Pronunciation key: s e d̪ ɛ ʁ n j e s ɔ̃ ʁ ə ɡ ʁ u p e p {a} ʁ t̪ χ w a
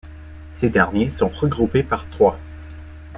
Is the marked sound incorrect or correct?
correct